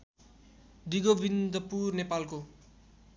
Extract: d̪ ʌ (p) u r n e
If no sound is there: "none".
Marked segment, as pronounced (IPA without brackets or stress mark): p